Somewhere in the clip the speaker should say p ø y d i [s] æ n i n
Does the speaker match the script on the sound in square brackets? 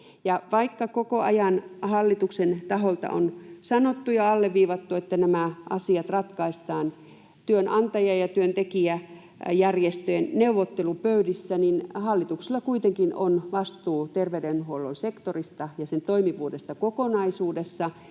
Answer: no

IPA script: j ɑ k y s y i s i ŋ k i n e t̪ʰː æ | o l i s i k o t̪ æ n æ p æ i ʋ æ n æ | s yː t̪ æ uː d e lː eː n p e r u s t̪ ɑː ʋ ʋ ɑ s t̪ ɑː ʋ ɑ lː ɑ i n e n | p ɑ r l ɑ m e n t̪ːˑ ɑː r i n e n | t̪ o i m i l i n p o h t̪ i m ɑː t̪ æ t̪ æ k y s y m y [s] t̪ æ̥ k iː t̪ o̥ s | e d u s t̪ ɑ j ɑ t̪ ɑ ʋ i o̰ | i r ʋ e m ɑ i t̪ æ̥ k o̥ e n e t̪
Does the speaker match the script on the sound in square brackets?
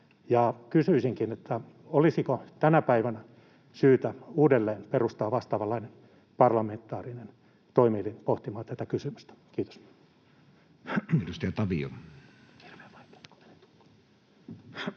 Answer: yes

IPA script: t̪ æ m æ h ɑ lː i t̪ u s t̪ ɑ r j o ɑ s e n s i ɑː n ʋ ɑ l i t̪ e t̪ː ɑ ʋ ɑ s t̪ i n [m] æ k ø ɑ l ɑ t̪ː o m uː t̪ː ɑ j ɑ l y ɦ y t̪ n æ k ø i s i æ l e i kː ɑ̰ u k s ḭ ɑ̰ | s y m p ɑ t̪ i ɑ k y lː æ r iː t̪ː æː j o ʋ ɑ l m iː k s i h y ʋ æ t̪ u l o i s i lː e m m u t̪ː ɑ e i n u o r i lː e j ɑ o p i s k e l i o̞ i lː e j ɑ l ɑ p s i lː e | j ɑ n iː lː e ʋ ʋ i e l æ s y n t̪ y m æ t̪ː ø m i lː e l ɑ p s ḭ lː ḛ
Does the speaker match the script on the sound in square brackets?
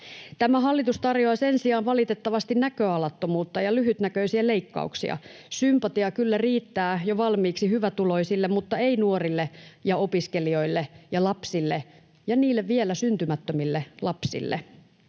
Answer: no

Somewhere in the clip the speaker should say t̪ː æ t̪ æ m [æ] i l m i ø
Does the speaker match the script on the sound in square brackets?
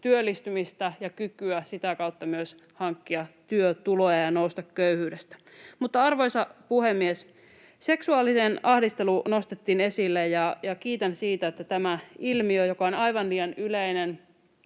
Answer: yes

